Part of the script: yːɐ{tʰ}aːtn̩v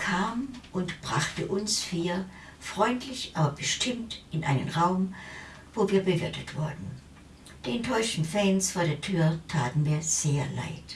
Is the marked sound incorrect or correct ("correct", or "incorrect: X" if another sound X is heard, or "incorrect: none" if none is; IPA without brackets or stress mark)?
correct